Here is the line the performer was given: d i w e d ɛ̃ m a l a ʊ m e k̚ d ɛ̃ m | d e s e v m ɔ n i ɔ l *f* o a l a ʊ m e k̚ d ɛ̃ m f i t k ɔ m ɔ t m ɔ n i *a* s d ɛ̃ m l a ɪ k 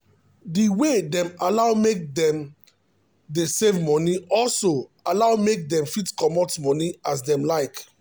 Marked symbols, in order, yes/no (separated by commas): no, yes